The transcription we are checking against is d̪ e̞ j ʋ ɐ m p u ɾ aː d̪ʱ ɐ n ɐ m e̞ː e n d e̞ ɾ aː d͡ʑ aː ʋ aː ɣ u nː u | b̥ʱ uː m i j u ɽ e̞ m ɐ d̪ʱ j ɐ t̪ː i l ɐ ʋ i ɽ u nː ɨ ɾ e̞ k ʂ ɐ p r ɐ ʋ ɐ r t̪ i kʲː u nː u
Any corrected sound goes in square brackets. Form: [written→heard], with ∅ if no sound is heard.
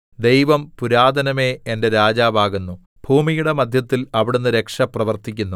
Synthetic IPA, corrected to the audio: d̪ e̞ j ʋ ɐ m p u ɾ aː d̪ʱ ɐ n ɐ m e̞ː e n d e̞ ɾ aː d͡ʑ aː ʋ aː ɣ u nː u | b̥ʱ uː m i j u ɽ e̞ m ɐ d̪ʱ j ɐ t̪ː i l ɐ ʋ i ɽ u nː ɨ ɾ e̞ k ʂ ɐ p r ɐ ʋ ɐ r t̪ i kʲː u nː u